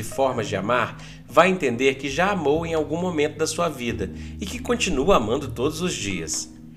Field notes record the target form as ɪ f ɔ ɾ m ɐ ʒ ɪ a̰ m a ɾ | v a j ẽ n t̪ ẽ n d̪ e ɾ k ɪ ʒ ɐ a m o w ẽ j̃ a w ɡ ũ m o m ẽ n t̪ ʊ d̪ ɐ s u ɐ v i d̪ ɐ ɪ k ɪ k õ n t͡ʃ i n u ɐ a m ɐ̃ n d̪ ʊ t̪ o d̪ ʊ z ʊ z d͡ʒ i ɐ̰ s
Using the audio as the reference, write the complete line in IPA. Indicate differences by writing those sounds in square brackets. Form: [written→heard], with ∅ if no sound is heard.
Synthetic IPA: ɪ f ɔ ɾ m ɐ [ʒ→d͡ʒ] ɪ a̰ m a ɾ | v a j ẽ n t̪ ẽ n d̪ e ɾ k ɪ ʒ [ɐ→a] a m o w ẽ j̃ a w ɡ ũ m o m ẽ n t̪ ʊ d̪ ɐ s u ɐ v i d̪ ɐ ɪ k ɪ k õ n t͡ʃ i n u ɐ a m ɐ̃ n d̪ ʊ t̪ o d̪ ʊ z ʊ z d͡ʒ i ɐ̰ s